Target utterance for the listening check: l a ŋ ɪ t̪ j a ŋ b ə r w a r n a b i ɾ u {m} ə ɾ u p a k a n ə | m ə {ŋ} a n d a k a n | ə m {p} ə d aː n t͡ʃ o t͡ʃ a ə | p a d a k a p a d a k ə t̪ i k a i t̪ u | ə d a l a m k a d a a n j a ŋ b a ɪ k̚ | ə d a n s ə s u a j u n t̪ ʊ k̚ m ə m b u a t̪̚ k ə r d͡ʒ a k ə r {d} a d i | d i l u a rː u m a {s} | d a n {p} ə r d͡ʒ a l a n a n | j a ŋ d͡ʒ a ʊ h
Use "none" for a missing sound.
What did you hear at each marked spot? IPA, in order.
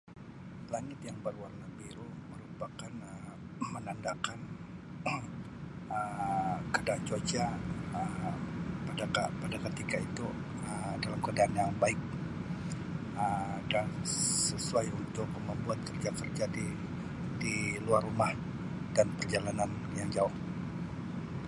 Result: m, n, k, d͡ʒ, h, p

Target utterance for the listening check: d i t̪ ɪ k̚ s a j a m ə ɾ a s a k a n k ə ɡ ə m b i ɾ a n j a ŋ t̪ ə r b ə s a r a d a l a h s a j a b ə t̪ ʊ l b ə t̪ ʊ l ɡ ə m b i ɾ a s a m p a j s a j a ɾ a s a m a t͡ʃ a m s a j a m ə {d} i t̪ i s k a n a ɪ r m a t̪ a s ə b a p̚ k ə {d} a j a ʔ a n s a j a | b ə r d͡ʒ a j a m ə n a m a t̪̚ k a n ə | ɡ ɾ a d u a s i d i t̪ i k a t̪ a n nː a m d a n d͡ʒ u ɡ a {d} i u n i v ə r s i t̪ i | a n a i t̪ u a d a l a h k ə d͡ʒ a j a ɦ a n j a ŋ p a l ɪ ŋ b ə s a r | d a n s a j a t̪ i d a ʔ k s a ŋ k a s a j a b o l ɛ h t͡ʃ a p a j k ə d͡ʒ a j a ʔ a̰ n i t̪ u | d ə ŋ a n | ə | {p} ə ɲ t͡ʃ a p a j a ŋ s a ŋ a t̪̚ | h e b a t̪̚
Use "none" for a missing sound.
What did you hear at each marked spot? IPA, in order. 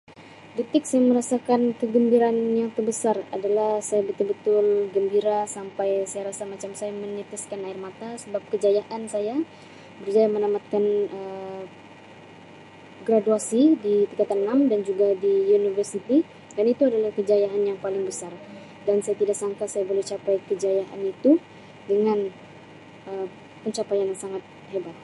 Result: n, d͡ʒ, d, p

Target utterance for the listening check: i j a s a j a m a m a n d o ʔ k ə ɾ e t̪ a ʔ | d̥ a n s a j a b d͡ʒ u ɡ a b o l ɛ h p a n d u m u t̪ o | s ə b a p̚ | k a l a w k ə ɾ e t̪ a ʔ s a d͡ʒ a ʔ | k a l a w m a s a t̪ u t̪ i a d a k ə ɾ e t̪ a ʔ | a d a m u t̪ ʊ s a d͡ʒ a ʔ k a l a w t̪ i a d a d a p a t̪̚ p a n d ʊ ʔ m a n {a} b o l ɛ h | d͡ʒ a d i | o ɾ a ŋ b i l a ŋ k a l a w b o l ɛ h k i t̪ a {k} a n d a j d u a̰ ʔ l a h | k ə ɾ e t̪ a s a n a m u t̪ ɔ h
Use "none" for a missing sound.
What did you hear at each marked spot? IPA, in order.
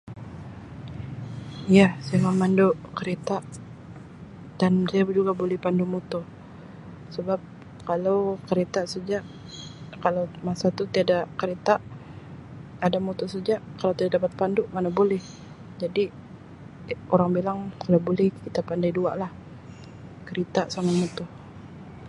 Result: a, p

